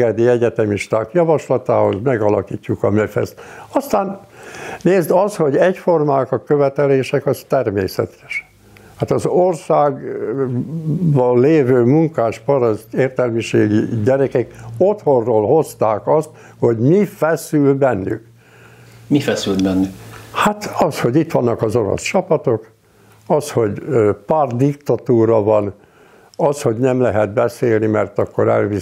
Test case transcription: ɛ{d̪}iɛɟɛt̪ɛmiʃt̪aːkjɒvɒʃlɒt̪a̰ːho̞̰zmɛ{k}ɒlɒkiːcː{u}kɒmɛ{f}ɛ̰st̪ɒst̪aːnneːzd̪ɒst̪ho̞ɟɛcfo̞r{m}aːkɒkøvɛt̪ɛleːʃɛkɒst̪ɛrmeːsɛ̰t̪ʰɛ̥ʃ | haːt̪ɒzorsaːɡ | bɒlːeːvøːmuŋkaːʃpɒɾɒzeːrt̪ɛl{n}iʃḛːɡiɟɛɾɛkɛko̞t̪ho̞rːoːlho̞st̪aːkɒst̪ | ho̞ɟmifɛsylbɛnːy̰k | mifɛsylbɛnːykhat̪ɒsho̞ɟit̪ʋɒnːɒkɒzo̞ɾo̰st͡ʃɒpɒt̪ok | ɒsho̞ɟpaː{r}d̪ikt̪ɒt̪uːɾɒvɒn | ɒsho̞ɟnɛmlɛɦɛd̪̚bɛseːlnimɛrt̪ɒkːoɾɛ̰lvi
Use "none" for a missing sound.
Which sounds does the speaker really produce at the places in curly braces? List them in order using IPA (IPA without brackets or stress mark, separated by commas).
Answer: d̪, ɡ, u, f, m, m, r